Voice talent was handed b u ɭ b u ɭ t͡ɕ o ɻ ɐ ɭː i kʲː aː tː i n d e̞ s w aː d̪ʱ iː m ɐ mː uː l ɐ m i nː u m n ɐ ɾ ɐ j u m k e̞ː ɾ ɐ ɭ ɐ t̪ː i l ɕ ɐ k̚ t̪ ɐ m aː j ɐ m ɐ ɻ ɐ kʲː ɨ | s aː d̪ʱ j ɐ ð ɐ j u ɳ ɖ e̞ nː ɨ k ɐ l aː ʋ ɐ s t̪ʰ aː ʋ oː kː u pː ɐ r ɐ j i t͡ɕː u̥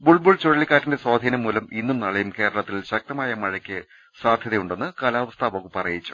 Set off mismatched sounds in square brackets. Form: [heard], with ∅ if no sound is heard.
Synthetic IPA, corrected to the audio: b u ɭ b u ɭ t͡ɕ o ɻ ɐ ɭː i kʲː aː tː i n d e̞ s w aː d̪ʱ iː [n] ɐ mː uː l ɐ m i nː u m n ɐ [ɭ] ɐ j u m k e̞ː ɾ ɐ ɭ ɐ t̪ː i l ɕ ɐ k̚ t̪ ɐ m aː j ɐ m ɐ ɻ ɐ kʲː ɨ | s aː d̪ʱ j ɐ ð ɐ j u ɳ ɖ e̞ nː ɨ k ɐ l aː ʋ ɐ s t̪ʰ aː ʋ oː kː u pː ɐ r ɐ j i t͡ɕː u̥